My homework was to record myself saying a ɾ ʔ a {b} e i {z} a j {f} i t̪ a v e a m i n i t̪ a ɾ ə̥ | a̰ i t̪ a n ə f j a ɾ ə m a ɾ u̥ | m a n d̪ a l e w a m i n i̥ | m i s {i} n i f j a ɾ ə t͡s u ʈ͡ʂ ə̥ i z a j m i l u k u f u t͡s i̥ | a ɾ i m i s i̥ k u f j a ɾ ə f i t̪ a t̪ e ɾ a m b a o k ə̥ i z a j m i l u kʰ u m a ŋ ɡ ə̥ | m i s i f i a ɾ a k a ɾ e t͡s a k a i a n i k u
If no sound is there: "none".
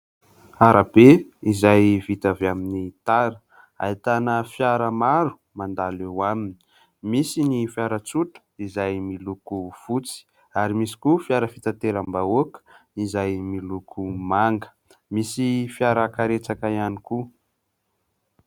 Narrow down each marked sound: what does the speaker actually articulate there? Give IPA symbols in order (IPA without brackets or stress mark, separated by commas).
b, z, v, i